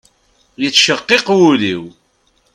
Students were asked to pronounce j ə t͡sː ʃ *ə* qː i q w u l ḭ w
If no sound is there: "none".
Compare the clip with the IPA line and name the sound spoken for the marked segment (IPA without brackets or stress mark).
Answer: ə